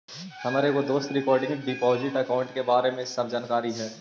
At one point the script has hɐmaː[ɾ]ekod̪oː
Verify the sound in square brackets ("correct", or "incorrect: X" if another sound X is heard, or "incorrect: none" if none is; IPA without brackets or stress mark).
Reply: correct